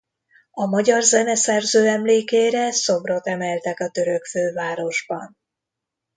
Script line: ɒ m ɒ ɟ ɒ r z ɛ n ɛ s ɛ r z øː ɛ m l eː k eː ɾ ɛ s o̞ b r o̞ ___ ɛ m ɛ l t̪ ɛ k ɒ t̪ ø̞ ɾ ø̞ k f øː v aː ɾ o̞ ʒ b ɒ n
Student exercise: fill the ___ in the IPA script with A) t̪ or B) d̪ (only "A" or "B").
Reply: A